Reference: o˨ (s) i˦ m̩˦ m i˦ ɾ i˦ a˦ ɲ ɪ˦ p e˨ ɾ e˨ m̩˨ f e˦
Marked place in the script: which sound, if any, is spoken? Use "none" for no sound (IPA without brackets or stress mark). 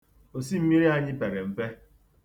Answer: s